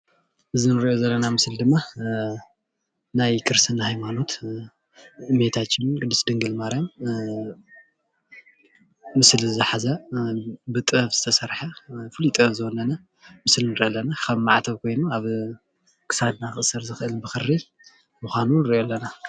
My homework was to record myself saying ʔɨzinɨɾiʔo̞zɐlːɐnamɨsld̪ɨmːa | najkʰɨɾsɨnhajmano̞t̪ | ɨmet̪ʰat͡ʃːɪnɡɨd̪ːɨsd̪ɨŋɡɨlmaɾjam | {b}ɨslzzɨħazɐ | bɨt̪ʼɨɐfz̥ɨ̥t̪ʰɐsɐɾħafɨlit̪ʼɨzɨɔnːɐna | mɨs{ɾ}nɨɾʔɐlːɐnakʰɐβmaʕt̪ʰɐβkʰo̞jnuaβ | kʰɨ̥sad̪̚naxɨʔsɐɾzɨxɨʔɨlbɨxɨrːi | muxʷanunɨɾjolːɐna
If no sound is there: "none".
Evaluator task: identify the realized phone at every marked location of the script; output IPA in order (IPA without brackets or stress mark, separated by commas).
m, l